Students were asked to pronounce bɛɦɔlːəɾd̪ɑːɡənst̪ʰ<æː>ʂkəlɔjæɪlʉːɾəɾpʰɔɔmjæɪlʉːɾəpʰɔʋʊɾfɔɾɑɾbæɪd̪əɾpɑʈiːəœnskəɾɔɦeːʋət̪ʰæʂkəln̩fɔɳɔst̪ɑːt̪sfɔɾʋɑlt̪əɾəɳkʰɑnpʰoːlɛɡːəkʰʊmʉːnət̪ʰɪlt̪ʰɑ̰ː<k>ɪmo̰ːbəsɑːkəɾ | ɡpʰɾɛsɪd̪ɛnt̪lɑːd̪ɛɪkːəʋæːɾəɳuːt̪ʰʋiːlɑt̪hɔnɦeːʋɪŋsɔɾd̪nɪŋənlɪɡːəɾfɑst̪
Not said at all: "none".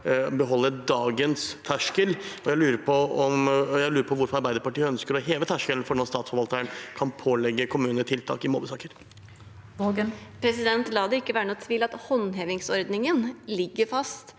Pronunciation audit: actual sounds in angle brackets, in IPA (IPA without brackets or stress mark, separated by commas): æ, k